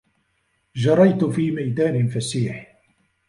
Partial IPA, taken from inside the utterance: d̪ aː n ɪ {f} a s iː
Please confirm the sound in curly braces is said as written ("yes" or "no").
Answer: yes